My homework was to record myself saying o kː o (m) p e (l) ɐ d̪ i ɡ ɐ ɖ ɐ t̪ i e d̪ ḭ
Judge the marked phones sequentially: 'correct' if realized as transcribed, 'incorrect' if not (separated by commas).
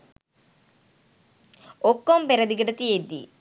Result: correct, incorrect